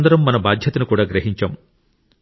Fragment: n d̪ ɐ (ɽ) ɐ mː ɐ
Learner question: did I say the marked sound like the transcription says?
no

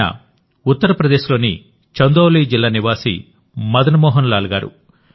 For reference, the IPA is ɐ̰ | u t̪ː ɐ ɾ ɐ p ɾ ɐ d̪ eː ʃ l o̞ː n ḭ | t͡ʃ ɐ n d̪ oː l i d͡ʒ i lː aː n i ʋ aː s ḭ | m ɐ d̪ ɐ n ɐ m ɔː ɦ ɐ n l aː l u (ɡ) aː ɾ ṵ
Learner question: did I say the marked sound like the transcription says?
yes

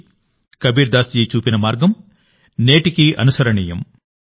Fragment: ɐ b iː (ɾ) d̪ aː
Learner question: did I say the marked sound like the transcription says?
yes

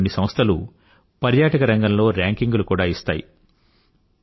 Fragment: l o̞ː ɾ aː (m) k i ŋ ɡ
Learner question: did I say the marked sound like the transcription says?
no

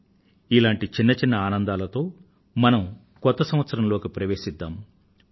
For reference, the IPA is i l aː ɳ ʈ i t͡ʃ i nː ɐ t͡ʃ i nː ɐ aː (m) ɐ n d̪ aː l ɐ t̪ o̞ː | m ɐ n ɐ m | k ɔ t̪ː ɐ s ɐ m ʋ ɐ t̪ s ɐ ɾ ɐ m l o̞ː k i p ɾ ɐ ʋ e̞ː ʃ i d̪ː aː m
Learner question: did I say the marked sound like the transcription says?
no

